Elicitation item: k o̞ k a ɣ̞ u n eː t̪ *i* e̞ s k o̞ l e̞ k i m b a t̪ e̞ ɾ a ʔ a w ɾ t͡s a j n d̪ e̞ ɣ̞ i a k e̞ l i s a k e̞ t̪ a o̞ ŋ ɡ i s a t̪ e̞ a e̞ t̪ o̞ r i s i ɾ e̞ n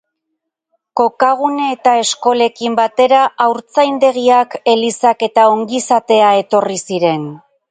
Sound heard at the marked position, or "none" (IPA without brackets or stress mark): a